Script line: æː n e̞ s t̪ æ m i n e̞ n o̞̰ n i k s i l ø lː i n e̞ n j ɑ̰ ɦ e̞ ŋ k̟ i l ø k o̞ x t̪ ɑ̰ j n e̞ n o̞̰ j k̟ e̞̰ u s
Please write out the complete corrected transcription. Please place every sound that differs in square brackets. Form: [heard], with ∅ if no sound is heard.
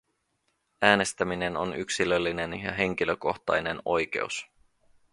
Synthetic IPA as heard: æː n e̞ s t̪ æ m i n e̞ n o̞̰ n [y] k s i l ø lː i n e̞ n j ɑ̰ ɦ e̞ ŋ k̟ i l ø k o̞ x t̪ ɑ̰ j n e̞ n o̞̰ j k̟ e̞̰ u s